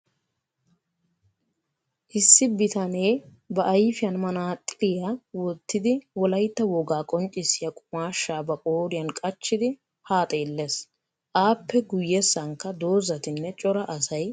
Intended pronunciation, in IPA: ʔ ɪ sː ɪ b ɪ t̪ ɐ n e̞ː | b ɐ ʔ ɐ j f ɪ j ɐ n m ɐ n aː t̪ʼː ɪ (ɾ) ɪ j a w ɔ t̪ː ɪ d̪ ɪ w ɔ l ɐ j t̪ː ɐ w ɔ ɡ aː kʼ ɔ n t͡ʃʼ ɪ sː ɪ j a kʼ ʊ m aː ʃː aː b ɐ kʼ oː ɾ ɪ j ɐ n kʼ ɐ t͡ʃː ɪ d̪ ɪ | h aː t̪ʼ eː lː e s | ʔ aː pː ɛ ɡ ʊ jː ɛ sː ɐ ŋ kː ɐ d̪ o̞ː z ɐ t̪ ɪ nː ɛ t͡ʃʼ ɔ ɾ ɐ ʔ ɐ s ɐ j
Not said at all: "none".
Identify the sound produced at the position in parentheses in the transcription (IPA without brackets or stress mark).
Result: l